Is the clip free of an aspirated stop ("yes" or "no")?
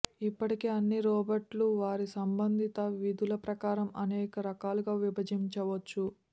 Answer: yes